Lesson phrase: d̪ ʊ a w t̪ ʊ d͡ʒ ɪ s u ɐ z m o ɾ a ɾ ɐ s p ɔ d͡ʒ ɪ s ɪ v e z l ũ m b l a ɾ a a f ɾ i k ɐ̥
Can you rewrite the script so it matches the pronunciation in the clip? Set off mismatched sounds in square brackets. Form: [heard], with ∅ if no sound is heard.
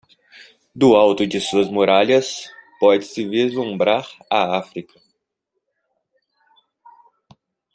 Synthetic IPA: d̪ ʊ a w t̪ ʊ d͡ʒ ɪ s u ɐ z m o ɾ a [ʎ] ɐ s p ɔ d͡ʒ ɪ s ɪ v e z l ũ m b [ɾ] a ɾ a a f ɾ i k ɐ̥